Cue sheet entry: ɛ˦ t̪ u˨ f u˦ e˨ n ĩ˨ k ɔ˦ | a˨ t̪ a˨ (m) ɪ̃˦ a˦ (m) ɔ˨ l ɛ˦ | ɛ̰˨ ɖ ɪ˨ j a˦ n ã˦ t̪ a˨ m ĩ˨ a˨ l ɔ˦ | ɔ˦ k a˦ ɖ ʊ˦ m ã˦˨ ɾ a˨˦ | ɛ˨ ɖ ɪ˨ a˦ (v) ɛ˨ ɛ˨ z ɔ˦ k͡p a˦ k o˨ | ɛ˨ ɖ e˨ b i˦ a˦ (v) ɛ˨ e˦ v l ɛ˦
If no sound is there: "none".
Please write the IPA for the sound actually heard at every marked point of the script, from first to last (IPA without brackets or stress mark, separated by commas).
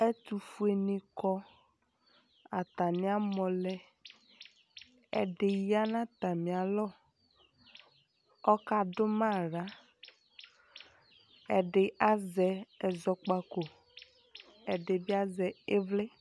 n, m, z, z